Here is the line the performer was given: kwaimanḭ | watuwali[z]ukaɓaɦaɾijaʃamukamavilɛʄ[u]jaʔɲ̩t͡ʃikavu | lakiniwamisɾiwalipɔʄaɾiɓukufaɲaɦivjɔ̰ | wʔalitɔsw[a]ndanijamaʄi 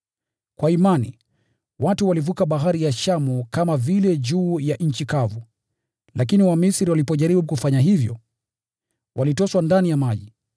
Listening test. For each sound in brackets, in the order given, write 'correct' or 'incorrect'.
incorrect, incorrect, correct

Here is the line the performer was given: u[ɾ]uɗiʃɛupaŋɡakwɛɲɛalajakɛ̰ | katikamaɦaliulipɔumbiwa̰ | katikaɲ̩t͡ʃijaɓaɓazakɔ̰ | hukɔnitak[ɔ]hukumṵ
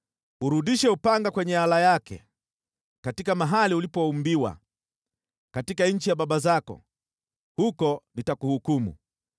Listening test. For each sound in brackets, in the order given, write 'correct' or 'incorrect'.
correct, incorrect

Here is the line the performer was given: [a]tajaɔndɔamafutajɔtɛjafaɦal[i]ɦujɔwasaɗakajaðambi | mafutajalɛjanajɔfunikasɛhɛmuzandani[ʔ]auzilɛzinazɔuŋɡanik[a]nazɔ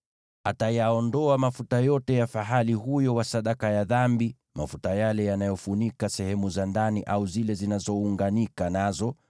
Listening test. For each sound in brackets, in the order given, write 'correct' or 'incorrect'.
correct, correct, correct, correct

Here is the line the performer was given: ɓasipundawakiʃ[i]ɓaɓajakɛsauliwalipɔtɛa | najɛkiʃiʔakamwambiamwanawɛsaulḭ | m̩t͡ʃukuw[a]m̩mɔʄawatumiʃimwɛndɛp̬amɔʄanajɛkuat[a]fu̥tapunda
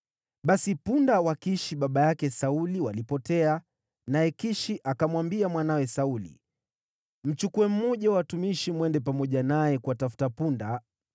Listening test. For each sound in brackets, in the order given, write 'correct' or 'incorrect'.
correct, incorrect, correct

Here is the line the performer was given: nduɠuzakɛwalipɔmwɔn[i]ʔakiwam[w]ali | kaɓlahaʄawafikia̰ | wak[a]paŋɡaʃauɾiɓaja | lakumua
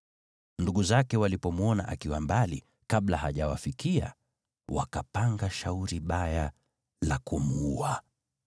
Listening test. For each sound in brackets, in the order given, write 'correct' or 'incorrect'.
incorrect, incorrect, correct

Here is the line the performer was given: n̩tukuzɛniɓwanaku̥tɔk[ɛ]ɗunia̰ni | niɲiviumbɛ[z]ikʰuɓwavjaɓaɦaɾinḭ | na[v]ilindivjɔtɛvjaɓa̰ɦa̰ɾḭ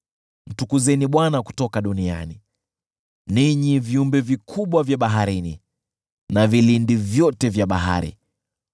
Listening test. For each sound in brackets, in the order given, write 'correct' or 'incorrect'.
incorrect, incorrect, correct

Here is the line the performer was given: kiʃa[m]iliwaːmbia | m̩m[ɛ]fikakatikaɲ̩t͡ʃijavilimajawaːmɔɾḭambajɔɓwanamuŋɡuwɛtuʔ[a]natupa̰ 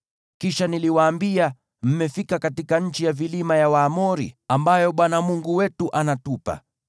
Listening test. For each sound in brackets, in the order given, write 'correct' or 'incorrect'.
incorrect, correct, correct

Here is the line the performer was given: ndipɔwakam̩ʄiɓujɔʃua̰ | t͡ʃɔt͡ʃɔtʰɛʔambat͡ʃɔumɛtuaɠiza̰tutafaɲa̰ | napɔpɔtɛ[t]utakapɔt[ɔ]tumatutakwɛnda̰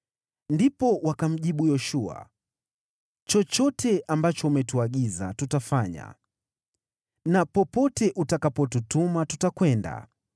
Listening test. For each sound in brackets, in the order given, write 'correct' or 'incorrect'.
incorrect, incorrect

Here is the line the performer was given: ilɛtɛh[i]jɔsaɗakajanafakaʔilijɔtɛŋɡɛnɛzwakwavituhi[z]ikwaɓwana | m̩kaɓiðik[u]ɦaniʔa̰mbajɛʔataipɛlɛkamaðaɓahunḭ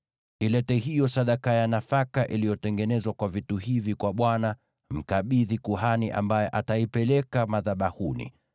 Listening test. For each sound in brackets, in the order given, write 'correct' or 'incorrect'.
correct, incorrect, correct

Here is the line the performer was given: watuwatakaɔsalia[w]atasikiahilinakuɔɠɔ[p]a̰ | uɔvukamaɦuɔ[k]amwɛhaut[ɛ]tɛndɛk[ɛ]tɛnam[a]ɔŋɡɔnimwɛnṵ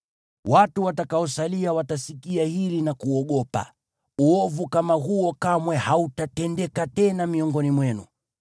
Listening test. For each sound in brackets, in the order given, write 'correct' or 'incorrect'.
correct, correct, correct, incorrect, incorrect, incorrect

